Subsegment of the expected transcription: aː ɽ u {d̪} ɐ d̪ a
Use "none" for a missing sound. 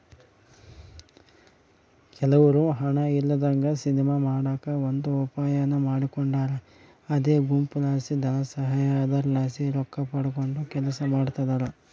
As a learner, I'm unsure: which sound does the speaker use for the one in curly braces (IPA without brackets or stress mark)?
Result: t̪